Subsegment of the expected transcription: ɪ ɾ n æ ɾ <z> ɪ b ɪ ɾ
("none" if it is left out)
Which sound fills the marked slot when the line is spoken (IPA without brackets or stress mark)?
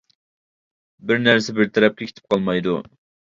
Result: s